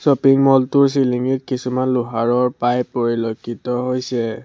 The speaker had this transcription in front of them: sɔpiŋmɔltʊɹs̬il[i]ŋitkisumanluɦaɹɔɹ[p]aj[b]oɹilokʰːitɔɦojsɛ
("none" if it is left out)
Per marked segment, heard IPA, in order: i, p, p

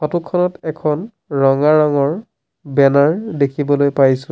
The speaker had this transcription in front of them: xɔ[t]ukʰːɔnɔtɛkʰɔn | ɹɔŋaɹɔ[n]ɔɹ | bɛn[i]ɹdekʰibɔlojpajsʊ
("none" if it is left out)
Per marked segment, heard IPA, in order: t, ŋ, a

